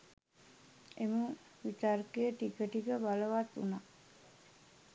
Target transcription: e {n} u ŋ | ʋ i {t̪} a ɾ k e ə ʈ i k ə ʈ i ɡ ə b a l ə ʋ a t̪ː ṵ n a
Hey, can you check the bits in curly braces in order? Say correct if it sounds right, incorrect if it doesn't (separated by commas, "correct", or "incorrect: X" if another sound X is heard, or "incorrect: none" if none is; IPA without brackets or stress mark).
incorrect: m, correct